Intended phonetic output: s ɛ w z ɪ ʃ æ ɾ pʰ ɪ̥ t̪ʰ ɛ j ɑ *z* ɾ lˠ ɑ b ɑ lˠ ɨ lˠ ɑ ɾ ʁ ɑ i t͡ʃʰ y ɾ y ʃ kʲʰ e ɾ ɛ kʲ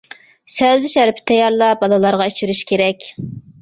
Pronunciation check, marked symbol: incorrect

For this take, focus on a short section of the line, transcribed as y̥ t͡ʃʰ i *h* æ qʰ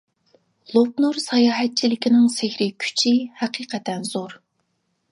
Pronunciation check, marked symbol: correct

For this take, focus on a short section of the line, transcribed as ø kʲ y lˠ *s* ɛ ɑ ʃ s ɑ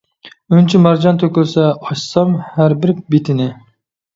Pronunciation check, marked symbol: correct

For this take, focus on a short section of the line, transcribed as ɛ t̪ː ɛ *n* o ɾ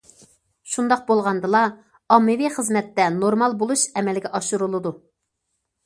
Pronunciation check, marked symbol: correct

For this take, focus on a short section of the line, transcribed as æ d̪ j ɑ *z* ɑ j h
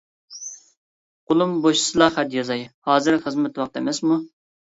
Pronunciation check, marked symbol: correct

